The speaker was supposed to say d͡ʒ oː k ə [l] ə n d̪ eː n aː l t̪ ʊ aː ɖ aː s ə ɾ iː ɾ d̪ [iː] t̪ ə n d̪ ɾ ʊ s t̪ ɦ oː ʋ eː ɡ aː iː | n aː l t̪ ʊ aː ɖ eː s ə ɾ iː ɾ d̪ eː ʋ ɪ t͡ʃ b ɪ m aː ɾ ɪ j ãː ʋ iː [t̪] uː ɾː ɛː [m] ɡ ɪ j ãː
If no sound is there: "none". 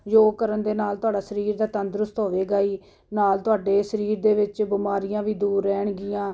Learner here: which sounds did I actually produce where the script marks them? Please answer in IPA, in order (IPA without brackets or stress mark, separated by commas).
ɾ, aː, d̪, ɳ